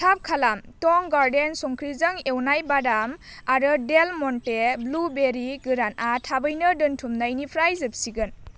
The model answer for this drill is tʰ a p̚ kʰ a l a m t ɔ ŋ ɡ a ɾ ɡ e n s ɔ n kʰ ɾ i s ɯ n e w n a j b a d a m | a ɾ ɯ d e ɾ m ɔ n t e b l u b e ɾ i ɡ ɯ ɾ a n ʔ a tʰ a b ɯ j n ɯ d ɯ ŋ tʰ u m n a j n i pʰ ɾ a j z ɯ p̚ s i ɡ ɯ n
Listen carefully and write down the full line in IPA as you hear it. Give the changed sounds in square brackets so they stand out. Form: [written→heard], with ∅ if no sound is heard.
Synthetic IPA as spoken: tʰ a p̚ kʰ a l a m t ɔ ŋ ɡ a ɾ [ɡ→d] e n s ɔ [n→ŋ] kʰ ɾ i [s→z] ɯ [n→ŋ] e w n a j b a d a m | a ɾ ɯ d e [ɾ→l] m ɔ n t e b l u b e ɾ i ɡ ɯ ɾ a n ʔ a tʰ a b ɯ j n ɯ d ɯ [ŋ→n] tʰ u m n a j n i pʰ ɾ a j z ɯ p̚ s i ɡ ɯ n